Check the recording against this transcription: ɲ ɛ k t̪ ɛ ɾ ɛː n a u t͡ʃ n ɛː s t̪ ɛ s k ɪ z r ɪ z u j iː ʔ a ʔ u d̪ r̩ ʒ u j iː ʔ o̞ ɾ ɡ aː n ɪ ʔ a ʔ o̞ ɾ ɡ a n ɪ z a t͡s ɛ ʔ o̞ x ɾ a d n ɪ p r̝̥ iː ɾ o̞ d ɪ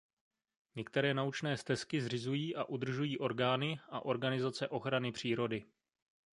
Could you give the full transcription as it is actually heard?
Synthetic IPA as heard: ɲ ɛ k t̪ ɛ ɾ ɛː n a u t͡ʃ n ɛː s t̪ ɛ s k ɪ z r ɪ z u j iː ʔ a ʔ u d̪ r̩ ʒ u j iː ʔ o̞ ɾ ɡ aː n ɪ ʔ a ʔ o̞ ɾ ɡ a n ɪ z a t͡s ɛ ʔ o̞ x ɾ a n ɪ p r̝̥ iː ɾ o̞ d ɪ